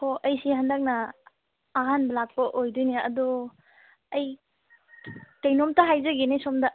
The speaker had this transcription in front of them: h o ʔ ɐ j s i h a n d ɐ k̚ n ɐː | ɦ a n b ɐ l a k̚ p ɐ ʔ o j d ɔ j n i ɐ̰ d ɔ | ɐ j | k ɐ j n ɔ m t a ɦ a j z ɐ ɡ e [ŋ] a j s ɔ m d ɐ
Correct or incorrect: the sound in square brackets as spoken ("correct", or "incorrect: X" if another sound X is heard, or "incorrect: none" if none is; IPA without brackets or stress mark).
incorrect: n